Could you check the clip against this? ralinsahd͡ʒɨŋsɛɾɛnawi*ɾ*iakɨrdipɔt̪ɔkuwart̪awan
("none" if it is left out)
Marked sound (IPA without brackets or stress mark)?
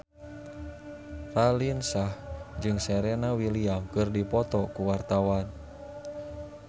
l